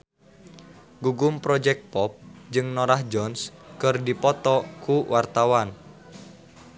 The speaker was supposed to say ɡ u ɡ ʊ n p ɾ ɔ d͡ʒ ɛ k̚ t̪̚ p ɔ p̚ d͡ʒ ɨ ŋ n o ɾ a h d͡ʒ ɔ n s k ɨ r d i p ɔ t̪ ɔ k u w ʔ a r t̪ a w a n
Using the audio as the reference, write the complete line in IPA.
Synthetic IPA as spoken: ɡ u ɡ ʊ m p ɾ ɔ d͡ʒ ɛ k̚ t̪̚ p ɔ p̚ d͡ʒ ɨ ŋ n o ɾ a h d͡ʒ ɔ n s k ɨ r d i p ɔ t̪ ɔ k u w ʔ a r t̪ a w a n